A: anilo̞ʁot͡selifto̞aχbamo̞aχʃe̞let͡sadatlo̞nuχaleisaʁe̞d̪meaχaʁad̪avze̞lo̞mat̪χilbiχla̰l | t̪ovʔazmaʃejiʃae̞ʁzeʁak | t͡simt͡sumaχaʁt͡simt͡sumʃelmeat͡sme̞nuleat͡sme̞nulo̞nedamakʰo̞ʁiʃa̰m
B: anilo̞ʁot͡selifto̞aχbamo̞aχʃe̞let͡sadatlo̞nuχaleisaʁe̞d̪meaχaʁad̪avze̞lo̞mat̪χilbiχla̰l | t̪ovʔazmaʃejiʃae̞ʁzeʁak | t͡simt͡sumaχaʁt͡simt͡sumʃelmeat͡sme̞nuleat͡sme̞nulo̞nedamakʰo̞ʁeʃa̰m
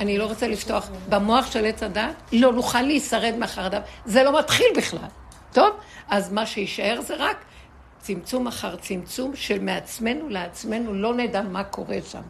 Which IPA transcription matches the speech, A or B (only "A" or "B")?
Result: B